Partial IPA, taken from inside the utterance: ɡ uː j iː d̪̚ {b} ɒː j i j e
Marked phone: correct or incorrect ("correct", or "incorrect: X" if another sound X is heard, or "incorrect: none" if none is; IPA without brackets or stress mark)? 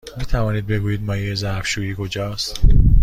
incorrect: m